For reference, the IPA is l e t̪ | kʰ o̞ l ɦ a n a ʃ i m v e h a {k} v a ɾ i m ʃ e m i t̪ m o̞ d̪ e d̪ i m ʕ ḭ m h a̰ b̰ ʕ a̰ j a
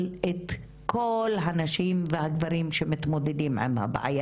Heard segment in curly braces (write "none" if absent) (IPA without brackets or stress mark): ɡ